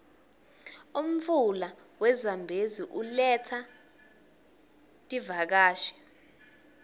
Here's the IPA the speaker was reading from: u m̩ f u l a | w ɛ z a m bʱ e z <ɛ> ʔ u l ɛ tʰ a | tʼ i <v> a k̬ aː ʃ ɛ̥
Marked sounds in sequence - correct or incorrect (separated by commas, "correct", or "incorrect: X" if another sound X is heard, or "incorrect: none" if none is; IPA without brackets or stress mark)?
incorrect: i, correct